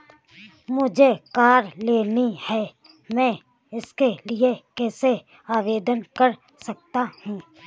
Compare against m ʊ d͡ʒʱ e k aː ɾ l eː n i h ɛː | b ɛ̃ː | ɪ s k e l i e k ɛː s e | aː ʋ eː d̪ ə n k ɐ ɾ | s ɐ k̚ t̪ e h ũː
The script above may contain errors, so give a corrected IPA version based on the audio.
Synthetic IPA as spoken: m ʊ d͡ʒʱ e k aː ɾ l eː n i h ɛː | m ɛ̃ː | ɪ s k e l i e k ɛː s e | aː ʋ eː d̪ ə n k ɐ ɾ | s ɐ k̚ t̪ a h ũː